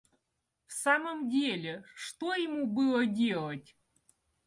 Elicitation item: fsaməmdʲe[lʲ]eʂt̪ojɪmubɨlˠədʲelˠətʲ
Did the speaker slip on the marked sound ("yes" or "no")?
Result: no